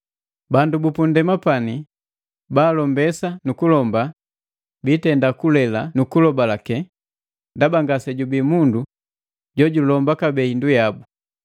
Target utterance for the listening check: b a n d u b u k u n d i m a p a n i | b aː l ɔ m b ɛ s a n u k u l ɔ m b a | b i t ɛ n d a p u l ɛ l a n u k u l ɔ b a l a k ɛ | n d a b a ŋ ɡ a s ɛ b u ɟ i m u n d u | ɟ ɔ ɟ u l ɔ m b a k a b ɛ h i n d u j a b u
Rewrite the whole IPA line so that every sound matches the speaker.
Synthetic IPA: b a n d u b u p u n d ɛ m a p a n i | b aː l ɔ m b ɛ s a n u k u l ɔ m b a | b i t ɛ n d a k u l ɛ l a n u k u l ɔ b a l a k ɛ | n d a b a ŋ ɡ a s ɛ ɟ u b i m u n d u | ɟ ɔ ɟ u l ɔ m b a k a b ɛ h i n d u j a b u